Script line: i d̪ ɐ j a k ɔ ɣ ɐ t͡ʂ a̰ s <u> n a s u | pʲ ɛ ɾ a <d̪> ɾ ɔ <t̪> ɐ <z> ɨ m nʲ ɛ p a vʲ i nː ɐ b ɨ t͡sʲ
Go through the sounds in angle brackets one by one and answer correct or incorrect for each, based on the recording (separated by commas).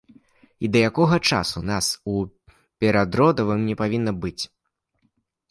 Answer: correct, correct, incorrect, incorrect